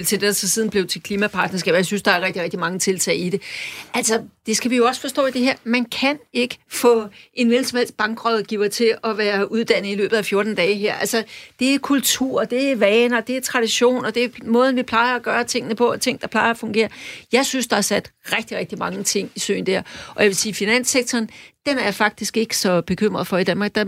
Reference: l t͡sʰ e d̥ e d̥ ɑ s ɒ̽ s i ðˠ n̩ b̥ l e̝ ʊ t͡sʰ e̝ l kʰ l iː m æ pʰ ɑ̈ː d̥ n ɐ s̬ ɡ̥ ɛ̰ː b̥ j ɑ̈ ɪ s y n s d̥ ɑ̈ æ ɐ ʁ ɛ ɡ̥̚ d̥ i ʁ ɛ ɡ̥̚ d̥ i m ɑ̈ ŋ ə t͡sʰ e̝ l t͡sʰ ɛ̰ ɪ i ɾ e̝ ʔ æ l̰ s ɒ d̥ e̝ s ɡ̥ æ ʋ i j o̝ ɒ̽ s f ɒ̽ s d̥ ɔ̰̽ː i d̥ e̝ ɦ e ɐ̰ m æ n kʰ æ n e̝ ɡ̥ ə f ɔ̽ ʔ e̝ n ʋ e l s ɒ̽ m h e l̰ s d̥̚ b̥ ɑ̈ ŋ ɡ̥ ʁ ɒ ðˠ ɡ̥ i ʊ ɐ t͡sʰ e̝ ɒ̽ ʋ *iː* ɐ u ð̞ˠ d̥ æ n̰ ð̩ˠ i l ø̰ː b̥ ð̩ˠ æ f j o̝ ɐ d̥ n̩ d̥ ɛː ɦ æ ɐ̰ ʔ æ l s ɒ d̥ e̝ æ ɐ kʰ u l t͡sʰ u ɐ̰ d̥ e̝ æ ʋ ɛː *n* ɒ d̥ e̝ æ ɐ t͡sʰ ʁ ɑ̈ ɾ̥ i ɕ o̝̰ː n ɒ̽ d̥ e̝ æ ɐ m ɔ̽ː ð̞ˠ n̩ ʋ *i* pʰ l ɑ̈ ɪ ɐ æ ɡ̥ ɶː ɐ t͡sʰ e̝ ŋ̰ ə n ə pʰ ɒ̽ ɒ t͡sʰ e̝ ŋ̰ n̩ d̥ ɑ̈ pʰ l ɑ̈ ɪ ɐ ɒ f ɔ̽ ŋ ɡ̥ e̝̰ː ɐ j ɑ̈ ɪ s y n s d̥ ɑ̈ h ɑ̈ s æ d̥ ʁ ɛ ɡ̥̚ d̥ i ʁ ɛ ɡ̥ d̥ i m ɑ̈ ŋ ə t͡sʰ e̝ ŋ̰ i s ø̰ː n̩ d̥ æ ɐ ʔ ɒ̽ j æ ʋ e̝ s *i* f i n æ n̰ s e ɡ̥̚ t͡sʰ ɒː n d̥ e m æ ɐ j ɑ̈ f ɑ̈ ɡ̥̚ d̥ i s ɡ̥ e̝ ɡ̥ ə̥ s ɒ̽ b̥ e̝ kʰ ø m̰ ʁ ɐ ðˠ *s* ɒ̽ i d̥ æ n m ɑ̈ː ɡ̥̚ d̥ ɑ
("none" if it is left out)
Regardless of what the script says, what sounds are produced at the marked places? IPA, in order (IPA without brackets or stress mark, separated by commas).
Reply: æː, n, i, iː, f